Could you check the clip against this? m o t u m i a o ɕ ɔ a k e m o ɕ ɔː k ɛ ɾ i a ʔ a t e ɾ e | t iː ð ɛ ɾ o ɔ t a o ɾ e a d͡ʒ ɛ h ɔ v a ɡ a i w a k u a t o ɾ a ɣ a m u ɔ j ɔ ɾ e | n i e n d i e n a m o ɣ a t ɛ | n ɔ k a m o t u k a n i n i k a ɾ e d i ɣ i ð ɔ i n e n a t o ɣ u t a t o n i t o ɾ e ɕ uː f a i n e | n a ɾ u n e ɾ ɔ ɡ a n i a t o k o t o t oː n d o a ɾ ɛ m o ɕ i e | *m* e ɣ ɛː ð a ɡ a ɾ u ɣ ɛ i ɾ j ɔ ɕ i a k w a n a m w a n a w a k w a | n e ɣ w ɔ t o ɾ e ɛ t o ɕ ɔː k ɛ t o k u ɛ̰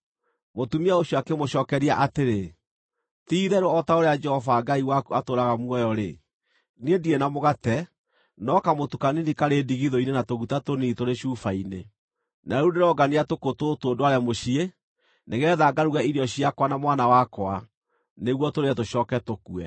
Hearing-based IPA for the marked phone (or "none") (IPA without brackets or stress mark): n